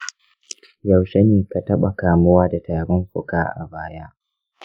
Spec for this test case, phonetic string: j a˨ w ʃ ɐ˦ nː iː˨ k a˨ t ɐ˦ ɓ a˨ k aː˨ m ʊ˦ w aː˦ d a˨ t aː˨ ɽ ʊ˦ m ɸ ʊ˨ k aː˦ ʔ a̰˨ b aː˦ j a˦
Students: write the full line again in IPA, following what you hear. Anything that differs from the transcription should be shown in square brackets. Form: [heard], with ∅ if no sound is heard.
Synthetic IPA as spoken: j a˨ w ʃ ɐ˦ [n] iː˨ k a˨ t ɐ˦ ɓ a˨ k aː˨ m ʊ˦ w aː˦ d a˨ t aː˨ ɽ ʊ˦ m ɸ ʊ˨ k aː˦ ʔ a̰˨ b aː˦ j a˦